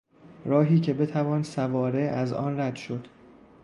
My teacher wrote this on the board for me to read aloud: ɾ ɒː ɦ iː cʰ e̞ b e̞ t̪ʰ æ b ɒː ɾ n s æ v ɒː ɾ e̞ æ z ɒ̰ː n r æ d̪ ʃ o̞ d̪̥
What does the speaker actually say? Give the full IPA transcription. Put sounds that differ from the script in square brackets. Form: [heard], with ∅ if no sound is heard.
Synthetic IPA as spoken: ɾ ɒː ɦ iː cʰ e̞ b e̞ t̪ʰ æ [v] ɒː [∅] n s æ v ɒː ɾ e̞ æ z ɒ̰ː n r æ d̪ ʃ o̞ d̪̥